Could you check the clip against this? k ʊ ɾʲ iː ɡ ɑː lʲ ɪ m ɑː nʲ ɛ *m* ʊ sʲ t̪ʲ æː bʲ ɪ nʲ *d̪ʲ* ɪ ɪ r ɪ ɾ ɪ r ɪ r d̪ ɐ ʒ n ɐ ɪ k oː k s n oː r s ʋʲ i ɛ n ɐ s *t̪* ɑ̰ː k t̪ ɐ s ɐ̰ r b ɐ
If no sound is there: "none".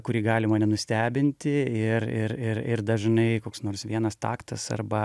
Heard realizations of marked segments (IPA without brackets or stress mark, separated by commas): n, t̪ʲ, t̪